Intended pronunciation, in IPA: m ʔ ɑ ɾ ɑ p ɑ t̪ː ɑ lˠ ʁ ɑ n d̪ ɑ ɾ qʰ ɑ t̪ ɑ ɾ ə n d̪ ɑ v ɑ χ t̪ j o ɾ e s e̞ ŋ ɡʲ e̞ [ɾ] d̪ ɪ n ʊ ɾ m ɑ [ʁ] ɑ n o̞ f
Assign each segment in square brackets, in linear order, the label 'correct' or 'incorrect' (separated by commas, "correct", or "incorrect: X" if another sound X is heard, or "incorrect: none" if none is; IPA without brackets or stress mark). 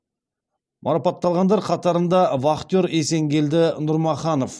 incorrect: l, incorrect: χ